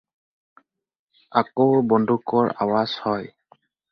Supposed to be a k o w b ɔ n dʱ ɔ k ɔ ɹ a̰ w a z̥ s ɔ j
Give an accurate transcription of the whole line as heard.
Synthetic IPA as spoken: a k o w b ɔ n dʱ u k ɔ ɹ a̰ w a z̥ h ɔ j